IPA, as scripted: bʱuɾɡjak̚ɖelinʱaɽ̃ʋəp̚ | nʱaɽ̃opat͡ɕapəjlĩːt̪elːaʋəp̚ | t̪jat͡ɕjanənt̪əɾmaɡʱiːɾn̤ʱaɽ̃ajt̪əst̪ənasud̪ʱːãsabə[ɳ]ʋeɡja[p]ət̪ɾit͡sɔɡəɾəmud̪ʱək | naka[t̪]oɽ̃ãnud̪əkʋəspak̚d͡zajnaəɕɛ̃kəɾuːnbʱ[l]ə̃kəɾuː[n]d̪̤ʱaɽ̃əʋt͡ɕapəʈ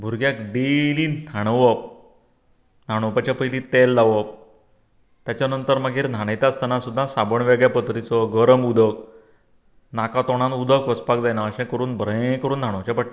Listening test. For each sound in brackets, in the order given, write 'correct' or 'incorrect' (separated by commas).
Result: correct, correct, correct, incorrect, correct